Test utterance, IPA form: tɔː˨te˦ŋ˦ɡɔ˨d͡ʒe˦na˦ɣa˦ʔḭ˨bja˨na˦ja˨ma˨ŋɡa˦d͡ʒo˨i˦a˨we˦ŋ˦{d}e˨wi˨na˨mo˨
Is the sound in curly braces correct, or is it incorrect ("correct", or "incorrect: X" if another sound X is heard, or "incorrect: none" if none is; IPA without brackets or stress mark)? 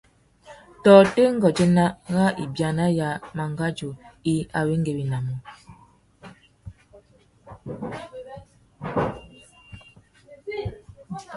incorrect: ɡ